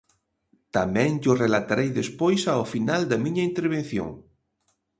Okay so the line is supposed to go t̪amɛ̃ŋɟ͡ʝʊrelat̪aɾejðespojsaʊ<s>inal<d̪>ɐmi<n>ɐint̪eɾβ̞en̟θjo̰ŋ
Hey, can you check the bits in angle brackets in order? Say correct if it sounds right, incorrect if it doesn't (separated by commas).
incorrect, correct, incorrect